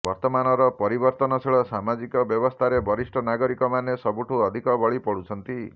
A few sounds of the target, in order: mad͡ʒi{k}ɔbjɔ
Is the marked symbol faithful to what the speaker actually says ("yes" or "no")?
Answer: yes